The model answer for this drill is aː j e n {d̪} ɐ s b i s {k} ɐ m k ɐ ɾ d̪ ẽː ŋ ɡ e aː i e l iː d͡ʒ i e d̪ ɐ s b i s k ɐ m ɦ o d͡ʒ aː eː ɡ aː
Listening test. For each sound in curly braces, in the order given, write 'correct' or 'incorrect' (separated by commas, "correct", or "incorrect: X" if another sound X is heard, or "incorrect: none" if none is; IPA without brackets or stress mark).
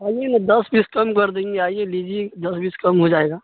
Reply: correct, correct